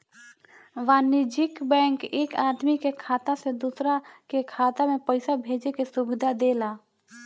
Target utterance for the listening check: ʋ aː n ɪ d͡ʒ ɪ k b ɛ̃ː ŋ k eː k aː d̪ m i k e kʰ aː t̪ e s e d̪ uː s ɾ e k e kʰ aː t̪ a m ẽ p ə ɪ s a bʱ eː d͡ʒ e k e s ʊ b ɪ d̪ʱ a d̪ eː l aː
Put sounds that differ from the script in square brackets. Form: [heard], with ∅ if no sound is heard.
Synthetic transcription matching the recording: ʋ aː n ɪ d͡ʒ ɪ k b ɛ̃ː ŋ k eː k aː d̪ m i k e kʰ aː t̪ [a] s e d̪ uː s ɾ [a] k e kʰ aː t̪ a m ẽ p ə ɪ s a bʱ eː d͡ʒ e k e s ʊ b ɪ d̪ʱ a d̪ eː l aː

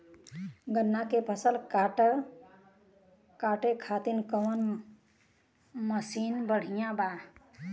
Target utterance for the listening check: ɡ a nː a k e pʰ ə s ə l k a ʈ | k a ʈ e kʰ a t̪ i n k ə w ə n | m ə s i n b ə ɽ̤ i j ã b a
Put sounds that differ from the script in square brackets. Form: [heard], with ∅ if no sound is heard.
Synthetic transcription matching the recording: ɡ [ə] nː a k e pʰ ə s ə l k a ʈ | k a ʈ e kʰ a t̪ i n k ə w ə n | m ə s i n b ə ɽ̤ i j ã b a

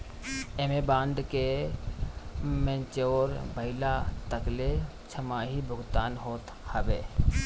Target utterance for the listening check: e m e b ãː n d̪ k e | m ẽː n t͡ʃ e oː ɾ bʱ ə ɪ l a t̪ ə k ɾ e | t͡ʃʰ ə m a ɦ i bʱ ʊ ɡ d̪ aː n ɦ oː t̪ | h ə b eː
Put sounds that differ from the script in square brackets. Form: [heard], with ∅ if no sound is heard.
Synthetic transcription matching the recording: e m e b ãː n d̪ k e | m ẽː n t͡ʃ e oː ɾ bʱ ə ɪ l a t̪ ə k [l] e | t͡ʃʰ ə m a ɦ i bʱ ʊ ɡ [t̪] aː n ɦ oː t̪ | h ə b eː

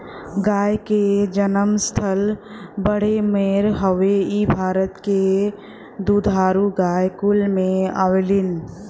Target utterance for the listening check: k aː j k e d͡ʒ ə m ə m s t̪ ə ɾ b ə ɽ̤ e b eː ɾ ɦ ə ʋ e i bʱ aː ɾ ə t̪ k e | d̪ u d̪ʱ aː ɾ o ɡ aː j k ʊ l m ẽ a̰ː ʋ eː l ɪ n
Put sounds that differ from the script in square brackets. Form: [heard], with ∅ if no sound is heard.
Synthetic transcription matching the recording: [ɡ] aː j k e d͡ʒ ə [n] ə m s [t̪ʰ] ə [l] b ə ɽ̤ e [m] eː ɾ ɦ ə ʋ e i bʱ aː ɾ ə t̪ k e | d̪ u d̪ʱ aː ɾ [u] ɡ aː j k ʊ l m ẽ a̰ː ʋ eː l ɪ n

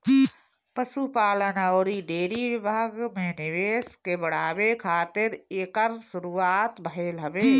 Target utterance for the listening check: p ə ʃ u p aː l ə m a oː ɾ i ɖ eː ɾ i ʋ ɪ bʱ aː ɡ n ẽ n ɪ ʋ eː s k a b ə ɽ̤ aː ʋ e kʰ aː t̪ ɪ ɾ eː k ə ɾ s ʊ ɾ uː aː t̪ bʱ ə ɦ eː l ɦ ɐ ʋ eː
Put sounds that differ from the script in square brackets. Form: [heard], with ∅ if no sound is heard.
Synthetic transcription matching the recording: p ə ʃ u p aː l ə [n] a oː ɾ i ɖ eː ɾ i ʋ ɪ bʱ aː ɡ [m] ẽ n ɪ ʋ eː s k [e] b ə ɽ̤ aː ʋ e kʰ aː t̪ ɪ ɾ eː k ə ɾ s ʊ ɾ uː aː t̪ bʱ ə ɦ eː l ɦ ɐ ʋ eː

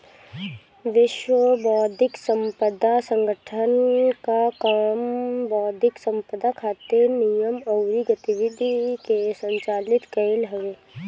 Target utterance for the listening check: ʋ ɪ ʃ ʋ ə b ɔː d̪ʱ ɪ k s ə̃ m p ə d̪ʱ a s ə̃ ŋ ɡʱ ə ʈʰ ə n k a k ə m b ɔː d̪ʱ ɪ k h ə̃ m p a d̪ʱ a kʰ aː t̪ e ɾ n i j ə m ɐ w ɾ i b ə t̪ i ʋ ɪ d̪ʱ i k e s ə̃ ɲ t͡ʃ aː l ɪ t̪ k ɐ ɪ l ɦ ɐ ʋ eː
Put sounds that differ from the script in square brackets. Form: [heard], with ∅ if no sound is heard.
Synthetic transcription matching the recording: ʋ ɪ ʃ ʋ ə b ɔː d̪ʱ ɪ k s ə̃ m p ə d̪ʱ a s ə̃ ŋ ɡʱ ə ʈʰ ə n k a k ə m b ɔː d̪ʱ ɪ k [s] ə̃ m p [ə] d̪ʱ a kʰ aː t̪ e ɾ n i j ə m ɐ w ɾ i [ɡ] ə t̪ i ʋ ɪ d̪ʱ i k e s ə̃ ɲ t͡ʃ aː l ɪ t̪ k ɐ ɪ l ɦ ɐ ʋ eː

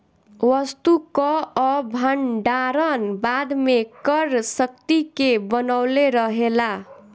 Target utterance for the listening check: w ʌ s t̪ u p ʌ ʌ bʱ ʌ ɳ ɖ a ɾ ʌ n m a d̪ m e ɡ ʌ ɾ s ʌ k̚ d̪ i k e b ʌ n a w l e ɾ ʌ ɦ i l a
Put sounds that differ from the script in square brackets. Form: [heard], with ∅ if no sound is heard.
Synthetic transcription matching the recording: w ʌ s t̪ u [k] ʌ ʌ bʱ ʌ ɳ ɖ a ɾ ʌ n [b] a d̪ m e [k] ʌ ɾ s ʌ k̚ [t̪] i k e b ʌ n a w l e ɾ ʌ ɦ [e] l a

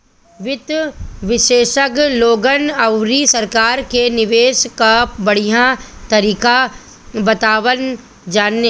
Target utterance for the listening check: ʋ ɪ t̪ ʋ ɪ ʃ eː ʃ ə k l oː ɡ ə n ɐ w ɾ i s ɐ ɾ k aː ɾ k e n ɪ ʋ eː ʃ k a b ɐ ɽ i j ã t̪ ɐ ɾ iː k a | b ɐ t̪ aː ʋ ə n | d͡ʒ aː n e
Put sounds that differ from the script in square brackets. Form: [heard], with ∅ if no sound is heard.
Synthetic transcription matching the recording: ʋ ɪ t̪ ʋ ɪ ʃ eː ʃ ə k l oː ɡ ə n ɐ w ɾ i s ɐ ɾ k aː ɾ k e n ɪ ʋ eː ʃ k a b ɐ ɽ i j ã t̪ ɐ ɾ iː k a | b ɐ t̪ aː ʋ ə n | d͡ʒ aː n e

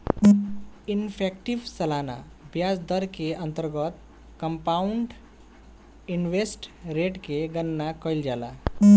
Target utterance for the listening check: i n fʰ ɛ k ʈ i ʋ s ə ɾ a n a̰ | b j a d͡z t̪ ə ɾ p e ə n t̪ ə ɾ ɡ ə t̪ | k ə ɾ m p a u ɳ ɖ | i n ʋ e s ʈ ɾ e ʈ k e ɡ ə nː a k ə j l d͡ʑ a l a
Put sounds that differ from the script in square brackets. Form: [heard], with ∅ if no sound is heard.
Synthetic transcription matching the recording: i n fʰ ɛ k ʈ i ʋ s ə [l] a n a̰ | b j a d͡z [d̪] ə ɾ [k] e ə n t̪ ə ɾ ɡ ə t̪ | k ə [∅] m p a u ɳ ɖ | i n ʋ e s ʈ ɾ e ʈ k e ɡ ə nː a k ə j l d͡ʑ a l a

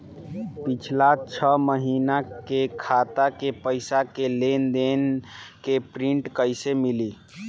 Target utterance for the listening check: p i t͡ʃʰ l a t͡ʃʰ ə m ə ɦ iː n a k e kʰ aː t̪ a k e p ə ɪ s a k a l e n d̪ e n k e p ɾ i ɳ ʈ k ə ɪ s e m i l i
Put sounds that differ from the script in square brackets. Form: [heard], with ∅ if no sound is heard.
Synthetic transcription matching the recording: p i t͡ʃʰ l a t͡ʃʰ ə m ə ɦ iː n a k e kʰ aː t̪ a k e p ə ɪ s a k [e] l e n d̪ e n k e p ɾ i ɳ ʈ k ə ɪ s e m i l i

